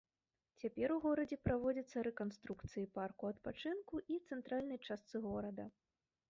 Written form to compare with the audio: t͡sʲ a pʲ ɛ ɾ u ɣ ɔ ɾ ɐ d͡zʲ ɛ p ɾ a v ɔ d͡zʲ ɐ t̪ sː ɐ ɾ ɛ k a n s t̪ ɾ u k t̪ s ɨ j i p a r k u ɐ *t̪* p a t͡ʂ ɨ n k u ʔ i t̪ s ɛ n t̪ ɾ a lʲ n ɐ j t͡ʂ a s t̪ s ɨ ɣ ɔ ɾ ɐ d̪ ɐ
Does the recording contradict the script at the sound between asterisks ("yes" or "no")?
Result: no